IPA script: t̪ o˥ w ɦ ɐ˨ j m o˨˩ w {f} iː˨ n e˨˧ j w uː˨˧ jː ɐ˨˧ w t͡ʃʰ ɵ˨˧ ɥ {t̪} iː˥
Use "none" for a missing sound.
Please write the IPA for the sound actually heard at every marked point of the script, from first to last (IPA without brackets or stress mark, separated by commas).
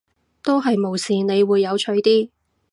s, t̪